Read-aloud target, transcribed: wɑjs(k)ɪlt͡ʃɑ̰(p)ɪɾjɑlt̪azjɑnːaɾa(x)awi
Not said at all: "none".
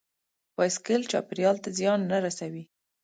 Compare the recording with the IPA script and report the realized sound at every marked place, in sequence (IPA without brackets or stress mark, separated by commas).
k, p, s